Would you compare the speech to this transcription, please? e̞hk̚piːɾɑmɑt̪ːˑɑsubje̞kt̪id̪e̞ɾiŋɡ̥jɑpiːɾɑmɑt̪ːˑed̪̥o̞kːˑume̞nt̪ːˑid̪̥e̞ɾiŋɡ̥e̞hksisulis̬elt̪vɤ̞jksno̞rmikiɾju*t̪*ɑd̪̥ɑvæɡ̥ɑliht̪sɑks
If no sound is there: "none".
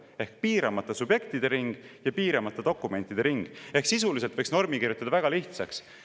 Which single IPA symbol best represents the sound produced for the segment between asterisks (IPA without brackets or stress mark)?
t̪